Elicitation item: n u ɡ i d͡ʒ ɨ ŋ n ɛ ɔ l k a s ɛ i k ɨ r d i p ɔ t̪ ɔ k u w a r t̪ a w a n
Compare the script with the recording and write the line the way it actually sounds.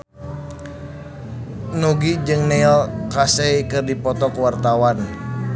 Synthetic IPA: n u ɡ i d͡ʒ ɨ ŋ n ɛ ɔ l k a s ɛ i k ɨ r d i p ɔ t̪ ɔ k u w a r t̪ a w a n